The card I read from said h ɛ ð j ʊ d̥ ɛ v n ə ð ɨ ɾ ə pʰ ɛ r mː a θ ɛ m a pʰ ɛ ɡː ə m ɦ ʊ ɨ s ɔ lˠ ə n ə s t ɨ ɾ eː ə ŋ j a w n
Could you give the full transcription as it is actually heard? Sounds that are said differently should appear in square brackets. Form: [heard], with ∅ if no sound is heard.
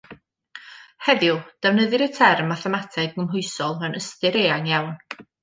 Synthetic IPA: h ɛ ð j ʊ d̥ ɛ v n ə ð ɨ ɾ ə [tʰ] ɛ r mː a θ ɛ m a [tʰ] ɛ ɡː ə m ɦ ʊ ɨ s ɔ lˠ ə n ə s t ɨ ɾ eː [a] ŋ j a w n